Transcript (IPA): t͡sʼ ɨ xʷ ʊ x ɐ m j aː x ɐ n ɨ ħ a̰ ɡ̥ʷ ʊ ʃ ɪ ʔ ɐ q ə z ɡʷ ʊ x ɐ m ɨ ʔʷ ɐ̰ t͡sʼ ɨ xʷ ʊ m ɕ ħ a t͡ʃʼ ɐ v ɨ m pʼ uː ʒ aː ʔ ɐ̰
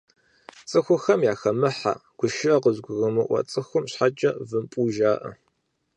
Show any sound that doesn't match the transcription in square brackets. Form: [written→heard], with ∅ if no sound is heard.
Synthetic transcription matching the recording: t͡sʼ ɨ xʷ ʊ x ɐ m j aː x ɐ [n→m] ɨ ħ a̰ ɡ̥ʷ ʊ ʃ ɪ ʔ ɐ q ə z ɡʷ ʊ [x→ɣ] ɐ m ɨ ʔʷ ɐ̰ t͡sʼ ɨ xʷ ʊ m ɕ ħ a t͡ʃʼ ɐ v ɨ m pʼ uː ʒ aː ʔ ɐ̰